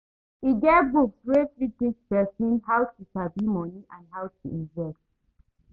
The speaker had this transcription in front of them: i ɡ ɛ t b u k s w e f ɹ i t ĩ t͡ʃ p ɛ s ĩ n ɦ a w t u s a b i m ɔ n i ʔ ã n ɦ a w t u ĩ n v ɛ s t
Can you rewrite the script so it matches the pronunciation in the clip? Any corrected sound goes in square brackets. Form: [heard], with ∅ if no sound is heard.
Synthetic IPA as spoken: i ɡ ɛ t b u k s w e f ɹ i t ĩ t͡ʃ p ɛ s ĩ n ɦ a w t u s a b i m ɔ n i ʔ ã n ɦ a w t u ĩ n v ɛ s t